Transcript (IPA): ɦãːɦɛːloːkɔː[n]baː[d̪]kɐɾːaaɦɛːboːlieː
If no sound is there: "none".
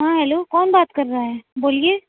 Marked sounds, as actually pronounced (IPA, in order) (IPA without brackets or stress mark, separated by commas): n, t̪